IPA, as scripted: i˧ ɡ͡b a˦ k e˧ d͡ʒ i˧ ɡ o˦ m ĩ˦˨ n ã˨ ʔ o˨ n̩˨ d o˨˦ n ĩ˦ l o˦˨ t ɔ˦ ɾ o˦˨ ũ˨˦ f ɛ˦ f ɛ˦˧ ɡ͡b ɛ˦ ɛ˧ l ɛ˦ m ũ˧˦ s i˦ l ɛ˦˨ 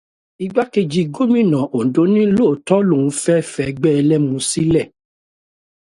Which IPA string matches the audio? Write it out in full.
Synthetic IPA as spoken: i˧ ɡ͡b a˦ k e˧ d͡ʒ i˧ ɡ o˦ m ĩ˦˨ n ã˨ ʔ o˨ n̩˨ d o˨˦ n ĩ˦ l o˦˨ t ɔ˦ l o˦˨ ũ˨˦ f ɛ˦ f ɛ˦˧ ɡ͡b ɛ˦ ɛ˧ l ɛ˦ m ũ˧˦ s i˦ l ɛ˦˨